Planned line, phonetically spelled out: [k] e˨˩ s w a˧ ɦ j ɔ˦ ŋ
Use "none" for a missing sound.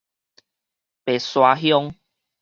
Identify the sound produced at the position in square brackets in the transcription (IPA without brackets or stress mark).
p